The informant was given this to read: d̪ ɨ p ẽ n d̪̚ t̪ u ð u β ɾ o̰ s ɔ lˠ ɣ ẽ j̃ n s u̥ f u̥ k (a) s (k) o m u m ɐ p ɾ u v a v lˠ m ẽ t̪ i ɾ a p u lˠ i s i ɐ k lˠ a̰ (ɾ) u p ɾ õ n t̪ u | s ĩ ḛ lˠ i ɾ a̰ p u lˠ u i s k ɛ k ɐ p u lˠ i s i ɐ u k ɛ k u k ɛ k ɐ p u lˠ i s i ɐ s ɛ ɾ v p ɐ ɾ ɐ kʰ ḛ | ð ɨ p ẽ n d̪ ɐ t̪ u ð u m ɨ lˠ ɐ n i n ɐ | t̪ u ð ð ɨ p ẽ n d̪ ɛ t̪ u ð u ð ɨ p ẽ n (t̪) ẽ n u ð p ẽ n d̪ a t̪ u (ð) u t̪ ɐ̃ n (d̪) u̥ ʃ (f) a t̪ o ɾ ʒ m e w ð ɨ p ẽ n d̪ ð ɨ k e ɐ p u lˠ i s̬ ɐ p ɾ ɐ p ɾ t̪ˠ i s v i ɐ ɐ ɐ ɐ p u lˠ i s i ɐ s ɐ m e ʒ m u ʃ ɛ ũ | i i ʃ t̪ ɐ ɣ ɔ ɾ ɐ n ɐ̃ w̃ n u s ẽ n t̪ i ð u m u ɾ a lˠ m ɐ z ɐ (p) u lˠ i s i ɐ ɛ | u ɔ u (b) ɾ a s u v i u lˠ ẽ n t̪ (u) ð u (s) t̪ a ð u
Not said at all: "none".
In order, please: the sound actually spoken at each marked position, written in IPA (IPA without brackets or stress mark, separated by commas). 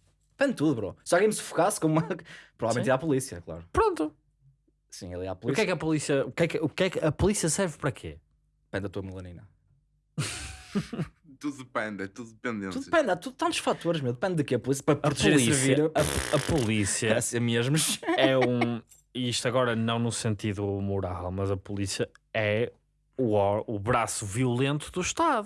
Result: a, k, ɾ, d̪, ð, t̪, f, p, β, u, ʃ